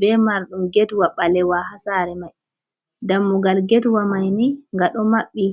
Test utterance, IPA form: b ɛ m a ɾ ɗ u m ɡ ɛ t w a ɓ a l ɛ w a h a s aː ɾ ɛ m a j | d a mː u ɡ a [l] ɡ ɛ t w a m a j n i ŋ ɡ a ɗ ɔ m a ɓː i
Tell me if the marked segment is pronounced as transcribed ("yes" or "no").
yes